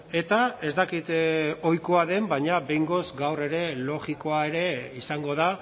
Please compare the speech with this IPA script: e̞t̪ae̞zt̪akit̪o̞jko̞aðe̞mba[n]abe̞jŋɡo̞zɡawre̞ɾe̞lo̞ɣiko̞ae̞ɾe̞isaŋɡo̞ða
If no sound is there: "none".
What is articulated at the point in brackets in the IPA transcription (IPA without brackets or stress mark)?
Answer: ɲ